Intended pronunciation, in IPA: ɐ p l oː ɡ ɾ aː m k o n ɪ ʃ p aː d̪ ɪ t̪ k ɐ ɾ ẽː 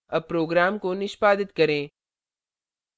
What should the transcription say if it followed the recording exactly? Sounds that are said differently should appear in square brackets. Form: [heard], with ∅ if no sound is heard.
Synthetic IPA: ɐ p [ɾ] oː ɡ ɾ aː m k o n ɪ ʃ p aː d̪ ɪ t̪ k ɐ ɾ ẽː

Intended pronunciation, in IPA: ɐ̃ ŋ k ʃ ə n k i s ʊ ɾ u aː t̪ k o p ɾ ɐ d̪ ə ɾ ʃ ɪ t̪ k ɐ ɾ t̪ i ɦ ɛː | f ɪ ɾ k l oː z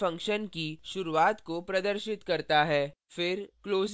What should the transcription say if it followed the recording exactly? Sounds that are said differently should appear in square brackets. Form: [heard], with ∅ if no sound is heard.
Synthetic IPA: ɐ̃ ŋ k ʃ ə n k i [ʃ] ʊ ɾ u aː t̪ k o p ɾ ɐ d̪ ə ɾ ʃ ɪ t̪ k ɐ ɾ t̪ [a] ɦ ɛː | f ɪ ɾ k l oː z

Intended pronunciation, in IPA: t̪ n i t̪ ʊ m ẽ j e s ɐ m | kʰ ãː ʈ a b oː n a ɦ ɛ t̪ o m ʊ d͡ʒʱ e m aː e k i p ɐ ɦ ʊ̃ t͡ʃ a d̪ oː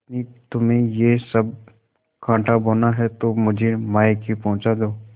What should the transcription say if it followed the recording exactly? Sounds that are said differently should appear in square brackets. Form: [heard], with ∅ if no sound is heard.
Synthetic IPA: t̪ n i t̪ ʊ m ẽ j e s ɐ [b] | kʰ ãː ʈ a b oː n a ɦ ɛ t̪ o m ʊ d͡ʒʱ e m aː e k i p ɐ ɦ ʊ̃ t͡ʃ a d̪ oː

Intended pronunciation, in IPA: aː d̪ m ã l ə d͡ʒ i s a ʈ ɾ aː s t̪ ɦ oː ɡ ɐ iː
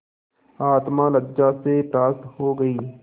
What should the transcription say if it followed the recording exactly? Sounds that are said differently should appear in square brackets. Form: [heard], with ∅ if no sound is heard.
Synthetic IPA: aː [t̪] m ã l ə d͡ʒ [a] s [e] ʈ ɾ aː s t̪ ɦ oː ɡ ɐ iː

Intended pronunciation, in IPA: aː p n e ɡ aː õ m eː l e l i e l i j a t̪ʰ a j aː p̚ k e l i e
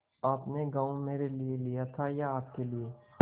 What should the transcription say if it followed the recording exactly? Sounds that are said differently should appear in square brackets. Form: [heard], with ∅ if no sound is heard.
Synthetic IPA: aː p n e ɡ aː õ m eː [ɾ] e l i e l i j a t̪ʰ a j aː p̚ k e l i e

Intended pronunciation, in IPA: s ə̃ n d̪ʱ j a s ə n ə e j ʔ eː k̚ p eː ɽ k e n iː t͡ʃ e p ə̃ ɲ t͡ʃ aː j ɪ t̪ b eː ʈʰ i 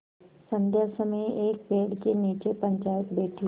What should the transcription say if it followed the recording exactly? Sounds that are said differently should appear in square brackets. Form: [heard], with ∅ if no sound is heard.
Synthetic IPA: s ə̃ n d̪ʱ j a s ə [m] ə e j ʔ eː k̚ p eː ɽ k e n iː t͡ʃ e p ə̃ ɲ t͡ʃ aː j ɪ t̪ b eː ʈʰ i

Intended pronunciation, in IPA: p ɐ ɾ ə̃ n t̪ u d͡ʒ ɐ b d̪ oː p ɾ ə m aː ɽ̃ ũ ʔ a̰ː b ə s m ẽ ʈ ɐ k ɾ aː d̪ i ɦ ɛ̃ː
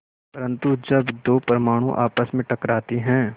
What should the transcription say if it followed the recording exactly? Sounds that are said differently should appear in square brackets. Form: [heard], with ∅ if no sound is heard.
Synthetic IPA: p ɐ ɾ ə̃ n t̪ u d͡ʒ ɐ b d̪ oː p ɾ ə m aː ɽ̃ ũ ʔ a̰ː [p] ə s m ẽ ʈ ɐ k ɾ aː [t̪] i ɦ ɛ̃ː

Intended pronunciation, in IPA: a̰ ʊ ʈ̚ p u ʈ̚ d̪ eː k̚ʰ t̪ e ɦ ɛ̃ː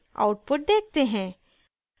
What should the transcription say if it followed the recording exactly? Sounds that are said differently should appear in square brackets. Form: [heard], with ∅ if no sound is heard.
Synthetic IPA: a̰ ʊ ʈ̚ p [ʊ] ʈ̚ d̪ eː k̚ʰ t̪ e ɦ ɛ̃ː

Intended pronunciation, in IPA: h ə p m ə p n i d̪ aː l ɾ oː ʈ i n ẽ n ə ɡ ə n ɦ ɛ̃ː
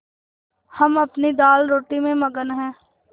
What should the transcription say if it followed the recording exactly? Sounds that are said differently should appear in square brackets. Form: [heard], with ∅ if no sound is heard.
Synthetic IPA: h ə [∅] m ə p n i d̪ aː l ɾ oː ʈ i [m] ẽ [m] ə ɡ ə n ɦ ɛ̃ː

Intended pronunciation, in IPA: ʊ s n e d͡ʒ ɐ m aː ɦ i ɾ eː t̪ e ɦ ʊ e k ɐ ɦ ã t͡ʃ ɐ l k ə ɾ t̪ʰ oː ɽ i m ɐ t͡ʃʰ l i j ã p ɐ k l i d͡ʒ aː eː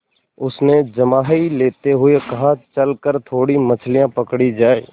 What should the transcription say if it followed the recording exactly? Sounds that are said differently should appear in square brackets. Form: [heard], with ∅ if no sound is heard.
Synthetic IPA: ʊ s n e d͡ʒ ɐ m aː ɦ i [l] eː t̪ e ɦ ʊ e k ɐ ɦ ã t͡ʃ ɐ l k ə ɾ t̪ʰ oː ɽ i m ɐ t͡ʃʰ l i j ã p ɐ k [ɽ] i d͡ʒ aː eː

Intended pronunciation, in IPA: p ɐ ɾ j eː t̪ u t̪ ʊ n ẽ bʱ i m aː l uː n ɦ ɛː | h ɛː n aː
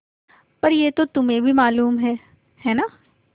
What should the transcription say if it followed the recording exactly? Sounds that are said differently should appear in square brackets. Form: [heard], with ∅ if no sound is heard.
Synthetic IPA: p ɐ ɾ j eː t̪ [o] t̪ ʊ [m] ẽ bʱ i m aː l uː [m] ɦ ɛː | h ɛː n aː

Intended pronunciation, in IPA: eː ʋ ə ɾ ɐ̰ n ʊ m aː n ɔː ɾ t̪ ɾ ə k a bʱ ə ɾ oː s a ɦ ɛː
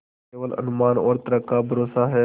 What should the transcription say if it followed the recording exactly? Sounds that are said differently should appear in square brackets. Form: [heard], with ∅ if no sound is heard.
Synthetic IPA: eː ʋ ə [l] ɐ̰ n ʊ m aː n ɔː ɾ t̪ ɾ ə k a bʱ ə ɾ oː s a ɦ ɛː

